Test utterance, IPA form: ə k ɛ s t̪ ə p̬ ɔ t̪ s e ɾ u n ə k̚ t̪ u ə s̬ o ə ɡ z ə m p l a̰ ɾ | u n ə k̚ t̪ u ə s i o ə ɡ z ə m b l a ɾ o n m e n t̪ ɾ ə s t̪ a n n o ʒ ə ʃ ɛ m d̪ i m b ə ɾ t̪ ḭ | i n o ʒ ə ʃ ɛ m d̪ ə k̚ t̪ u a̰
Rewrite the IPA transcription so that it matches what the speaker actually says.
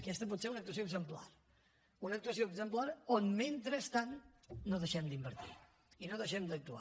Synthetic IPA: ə k ɛ s t̪ ə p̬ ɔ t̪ s e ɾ u n ə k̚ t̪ u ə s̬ o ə ɡ z ə m p l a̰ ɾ | u n ə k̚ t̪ u ə s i o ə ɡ z ə m p l a ɾ o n m e n t̪ ɾ ə s t̪ a n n o ð ə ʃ ɛ m d̪ i m b ə ɾ t̪ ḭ | i n o ð ə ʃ ɛ m d̪ ə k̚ t̪ u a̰